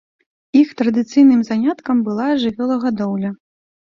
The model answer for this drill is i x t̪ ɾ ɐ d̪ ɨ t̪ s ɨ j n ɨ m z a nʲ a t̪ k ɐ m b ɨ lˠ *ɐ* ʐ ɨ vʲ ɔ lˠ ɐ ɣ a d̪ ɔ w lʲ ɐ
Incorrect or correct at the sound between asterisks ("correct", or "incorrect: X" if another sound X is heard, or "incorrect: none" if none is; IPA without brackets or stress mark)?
incorrect: a